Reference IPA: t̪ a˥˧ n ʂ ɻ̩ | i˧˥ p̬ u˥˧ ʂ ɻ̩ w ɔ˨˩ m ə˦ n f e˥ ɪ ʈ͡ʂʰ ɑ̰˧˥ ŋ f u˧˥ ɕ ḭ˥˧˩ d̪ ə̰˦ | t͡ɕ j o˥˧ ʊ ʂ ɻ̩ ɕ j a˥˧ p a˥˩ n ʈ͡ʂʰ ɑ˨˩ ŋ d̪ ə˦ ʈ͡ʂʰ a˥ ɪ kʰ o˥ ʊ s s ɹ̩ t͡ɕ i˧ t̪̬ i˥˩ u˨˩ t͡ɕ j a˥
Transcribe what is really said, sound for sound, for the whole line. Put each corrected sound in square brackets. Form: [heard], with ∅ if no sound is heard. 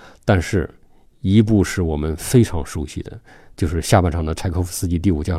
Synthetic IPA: t̪ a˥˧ n ʂ ɻ̩ | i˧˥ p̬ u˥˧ ʂ ɻ̩ w ɔ˨˩ m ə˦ n f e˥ ɪ ʈ͡ʂʰ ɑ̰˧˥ ŋ [ʂ] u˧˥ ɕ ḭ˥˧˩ d̪ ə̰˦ | t͡ɕ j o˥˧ ʊ ʂ ɻ̩ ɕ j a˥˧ p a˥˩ n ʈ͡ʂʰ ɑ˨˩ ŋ d̪ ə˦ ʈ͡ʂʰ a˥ ɪ kʰ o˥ ʊ [f] s ɹ̩ t͡ɕ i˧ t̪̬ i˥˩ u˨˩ t͡ɕ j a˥